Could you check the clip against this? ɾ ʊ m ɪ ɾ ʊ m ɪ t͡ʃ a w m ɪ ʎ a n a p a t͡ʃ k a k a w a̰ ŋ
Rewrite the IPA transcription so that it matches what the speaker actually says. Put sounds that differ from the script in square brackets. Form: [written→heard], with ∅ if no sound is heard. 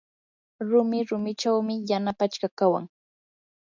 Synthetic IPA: ɾ ʊ m ɪ ɾ ʊ m ɪ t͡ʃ a w m ɪ [ʎ→j] a n a p a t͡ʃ k a k a w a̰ ŋ